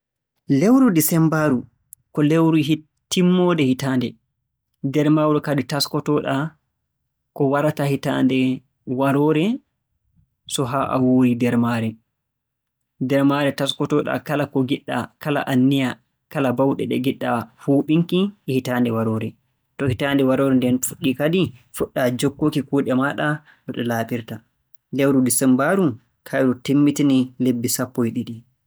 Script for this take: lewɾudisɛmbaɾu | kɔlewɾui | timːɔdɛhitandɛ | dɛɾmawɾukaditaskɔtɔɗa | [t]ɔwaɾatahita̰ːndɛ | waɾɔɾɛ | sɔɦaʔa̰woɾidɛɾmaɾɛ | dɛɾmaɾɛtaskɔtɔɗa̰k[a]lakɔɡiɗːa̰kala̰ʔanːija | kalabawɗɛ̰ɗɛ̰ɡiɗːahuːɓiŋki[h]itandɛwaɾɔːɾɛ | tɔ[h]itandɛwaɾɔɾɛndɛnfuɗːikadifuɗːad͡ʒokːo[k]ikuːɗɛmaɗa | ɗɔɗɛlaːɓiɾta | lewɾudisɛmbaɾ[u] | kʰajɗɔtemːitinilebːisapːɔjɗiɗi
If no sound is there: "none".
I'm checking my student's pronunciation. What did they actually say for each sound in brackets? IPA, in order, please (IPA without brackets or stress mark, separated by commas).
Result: k, a, h, h, k, u